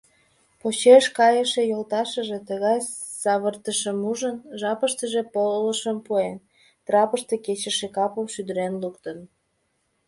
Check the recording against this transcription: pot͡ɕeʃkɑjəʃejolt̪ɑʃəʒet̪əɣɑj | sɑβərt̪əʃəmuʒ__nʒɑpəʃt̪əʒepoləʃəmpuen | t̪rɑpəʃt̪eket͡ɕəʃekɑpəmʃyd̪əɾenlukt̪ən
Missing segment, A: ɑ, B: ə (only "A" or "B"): B